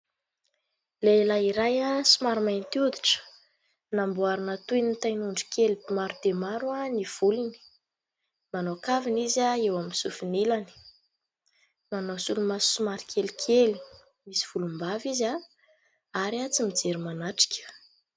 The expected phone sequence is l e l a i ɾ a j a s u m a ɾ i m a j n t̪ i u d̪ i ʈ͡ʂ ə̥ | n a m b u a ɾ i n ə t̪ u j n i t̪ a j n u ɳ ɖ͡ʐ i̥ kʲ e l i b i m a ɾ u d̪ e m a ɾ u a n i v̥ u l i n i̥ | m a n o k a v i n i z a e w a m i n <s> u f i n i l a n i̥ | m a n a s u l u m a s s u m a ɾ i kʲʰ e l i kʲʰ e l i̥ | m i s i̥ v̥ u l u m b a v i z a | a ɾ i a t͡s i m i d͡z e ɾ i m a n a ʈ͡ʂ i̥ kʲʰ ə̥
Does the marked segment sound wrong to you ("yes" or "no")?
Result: no